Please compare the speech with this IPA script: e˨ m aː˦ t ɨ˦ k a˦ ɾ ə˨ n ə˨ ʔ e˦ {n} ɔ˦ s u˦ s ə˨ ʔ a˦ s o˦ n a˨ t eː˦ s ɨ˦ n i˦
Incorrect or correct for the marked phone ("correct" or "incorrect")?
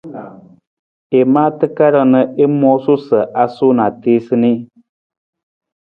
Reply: incorrect